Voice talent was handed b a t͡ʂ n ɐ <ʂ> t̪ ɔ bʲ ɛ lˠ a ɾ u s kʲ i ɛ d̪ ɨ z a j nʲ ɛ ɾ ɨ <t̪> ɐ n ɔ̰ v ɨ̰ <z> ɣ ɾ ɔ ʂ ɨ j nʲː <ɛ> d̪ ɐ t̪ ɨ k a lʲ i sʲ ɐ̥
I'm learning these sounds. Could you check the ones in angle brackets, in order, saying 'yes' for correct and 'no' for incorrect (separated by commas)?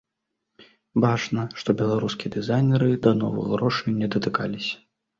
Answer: yes, no, no, yes